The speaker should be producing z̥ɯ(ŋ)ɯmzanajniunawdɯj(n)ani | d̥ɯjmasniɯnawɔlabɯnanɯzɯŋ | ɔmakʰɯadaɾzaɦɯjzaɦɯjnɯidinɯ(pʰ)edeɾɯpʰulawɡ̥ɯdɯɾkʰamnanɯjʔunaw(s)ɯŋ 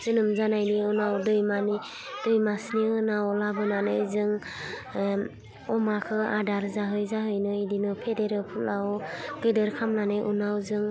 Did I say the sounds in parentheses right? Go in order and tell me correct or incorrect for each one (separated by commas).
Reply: incorrect, incorrect, correct, incorrect